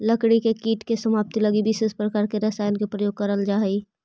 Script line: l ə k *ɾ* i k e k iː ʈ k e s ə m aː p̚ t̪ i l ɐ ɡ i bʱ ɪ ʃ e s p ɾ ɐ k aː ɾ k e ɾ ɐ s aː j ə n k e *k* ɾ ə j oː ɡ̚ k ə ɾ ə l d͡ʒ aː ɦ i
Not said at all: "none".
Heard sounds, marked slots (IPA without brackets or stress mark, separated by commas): ɽ, p